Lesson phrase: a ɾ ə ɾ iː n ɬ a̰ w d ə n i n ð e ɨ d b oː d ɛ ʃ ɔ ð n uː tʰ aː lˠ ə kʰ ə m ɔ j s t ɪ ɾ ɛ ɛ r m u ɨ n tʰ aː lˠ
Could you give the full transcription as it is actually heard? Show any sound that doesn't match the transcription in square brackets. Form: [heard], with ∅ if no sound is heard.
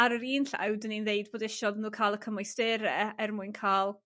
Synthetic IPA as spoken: a ɾ ə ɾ iː n ɬ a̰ w d ə n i n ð e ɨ d b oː d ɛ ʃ ɔ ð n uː [kʰ] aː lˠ ə kʰ ə m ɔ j s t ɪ ɾ ɛ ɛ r m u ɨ n [kʰ] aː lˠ